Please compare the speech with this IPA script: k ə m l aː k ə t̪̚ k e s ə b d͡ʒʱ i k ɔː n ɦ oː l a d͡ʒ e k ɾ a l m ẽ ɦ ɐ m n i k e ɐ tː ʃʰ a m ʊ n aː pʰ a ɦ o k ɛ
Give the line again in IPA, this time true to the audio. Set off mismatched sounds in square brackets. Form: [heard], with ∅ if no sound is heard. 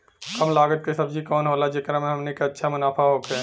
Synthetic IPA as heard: k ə m l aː [ɡ] ə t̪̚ k e s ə b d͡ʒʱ i k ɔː n ɦ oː l a d͡ʒ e k ɾ a [∅] m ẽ ɦ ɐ m n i k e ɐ tː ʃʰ a m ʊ n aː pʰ a ɦ o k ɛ